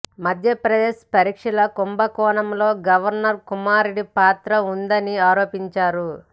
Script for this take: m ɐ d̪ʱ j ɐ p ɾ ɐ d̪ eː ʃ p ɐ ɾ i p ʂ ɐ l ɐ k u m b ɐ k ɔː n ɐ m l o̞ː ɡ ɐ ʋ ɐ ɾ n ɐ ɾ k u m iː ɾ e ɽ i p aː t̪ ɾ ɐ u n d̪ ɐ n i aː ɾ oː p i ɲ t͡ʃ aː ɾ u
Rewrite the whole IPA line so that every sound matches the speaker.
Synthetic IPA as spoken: m ɐ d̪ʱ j ɐ p ɾ ɐ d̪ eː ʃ p ɐ ɾ i k ʂ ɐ l ɐ k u m b ɐ k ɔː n ɐ m l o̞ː ɡ ɐ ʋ ɐ ɾ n ɐ ɾ k u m aː ɾ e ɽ i p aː t̪ ɾ ɐ u n d̪ ɐ n i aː ɾ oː p i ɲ t͡ʃ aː ɾ u